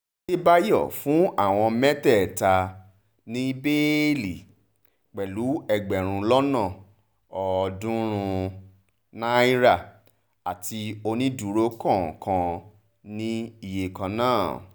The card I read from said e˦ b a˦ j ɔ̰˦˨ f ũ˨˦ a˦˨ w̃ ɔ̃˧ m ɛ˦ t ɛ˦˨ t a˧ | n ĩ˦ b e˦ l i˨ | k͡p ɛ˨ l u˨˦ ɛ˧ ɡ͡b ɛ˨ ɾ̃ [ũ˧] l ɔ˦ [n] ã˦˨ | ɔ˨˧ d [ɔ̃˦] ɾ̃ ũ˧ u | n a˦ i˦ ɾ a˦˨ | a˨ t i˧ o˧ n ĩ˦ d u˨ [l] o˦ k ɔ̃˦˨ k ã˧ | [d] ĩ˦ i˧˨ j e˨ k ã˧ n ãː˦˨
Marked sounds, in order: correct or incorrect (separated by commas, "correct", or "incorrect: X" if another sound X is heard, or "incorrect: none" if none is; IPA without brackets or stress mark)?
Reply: correct, correct, incorrect: ũ˦, incorrect: ɾ, incorrect: n